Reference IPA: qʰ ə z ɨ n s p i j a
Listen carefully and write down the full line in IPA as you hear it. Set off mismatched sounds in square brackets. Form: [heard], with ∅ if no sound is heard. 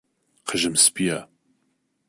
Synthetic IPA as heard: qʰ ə [ʒ] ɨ [m] s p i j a

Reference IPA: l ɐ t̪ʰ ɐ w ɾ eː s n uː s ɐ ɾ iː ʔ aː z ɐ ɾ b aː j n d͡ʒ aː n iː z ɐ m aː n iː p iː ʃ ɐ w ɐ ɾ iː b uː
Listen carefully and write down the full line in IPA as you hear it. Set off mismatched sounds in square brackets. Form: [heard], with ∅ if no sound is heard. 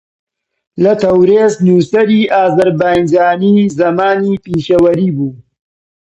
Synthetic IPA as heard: l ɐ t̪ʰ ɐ w ɾ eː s n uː s ɐ ɾ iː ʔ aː z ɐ ɾ b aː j n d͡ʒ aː n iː z ɐ m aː n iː p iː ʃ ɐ w ɐ ɾ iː b uː

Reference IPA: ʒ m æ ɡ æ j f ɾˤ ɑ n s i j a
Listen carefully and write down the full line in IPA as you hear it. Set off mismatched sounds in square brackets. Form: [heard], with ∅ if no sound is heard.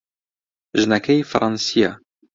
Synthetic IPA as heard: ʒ [n] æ [k] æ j f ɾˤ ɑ n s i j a

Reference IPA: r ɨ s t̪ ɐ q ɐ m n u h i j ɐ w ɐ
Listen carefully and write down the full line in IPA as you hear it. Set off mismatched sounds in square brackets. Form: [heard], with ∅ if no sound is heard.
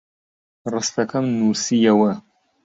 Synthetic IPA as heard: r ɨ s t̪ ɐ [k] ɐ m n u [s] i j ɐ w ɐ

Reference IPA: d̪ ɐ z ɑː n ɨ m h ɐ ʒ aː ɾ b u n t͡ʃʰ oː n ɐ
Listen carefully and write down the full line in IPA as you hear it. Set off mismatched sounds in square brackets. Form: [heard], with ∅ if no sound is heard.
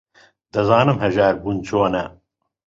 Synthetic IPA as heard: d̪ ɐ z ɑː n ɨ m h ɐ ʒ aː ɾ b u n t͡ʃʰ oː n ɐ

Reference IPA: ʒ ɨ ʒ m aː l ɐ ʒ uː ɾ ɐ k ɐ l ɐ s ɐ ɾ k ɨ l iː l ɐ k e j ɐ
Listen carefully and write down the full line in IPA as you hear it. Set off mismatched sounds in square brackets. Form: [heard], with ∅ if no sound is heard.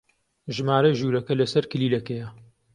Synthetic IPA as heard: ʒ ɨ [∅] m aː [ɾ] ɐ ʒ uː ɾ ɐ k ɐ l ɐ s ɐ ɾ k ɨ l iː l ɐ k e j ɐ

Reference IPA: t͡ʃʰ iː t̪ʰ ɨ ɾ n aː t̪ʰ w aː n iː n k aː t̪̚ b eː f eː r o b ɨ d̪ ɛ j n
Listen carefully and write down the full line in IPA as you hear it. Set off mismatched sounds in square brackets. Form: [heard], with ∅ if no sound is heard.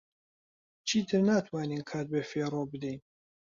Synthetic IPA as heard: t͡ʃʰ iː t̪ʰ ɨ ɾ n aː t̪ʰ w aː n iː n [kʰ] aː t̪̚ b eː f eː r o b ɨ d̪ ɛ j n

